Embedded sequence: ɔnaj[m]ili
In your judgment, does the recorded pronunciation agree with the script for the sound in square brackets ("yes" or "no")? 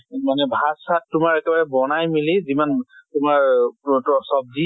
yes